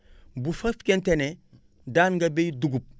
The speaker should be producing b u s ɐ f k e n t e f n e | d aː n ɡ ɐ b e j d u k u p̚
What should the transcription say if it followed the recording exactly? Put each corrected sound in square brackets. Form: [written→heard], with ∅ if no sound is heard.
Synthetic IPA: b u [s→f] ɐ f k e n t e [f→∅] n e | d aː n ɡ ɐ b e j d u [k→ɡ] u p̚